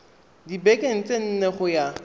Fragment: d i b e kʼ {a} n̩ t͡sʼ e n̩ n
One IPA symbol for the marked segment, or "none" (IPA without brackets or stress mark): e